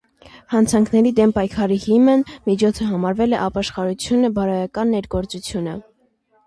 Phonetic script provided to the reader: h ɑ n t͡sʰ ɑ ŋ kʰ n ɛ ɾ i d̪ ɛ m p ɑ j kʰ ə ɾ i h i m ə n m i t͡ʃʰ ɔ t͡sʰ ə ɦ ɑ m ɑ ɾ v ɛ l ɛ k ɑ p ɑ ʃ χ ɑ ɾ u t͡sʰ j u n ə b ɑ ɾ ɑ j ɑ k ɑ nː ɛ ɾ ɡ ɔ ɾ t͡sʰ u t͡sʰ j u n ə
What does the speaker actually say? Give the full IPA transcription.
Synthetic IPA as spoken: h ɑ n t͡sʰ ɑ ŋ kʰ n ɛ ɾ i d̪ ɛ m p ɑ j kʰ ɑ ɾ i h i m ə n m i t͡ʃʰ ɔ t͡sʰ ə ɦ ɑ m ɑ ɾ v ɛ l ɛ ʔ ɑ p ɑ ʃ χ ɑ ɾ u t͡sʰ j u n ə b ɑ ɾ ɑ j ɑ k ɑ nː ɛ ɾ ɡ ɔ ɾ t͡s u t͡sʰ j u n ə